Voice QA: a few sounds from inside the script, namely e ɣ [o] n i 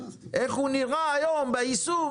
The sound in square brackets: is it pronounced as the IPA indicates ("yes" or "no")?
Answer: no